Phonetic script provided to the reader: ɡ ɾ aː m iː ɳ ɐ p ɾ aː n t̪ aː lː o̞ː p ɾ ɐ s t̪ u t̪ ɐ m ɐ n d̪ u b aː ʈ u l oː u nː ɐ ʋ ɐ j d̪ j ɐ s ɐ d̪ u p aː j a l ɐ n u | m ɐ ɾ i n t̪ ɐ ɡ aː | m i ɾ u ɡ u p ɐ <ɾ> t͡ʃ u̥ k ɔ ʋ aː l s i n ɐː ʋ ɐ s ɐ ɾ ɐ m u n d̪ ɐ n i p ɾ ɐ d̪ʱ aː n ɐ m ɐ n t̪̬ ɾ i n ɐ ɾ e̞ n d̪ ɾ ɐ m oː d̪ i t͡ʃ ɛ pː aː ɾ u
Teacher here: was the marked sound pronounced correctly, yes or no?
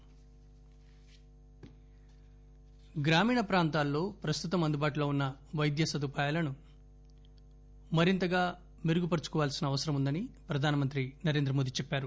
yes